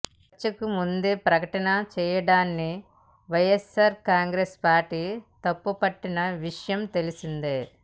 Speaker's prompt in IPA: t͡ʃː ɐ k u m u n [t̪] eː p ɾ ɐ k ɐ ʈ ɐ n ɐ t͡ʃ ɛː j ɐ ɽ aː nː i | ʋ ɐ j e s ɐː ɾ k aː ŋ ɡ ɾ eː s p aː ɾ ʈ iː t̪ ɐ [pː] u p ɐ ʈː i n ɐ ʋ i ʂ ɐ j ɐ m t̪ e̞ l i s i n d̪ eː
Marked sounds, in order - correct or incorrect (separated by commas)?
incorrect, correct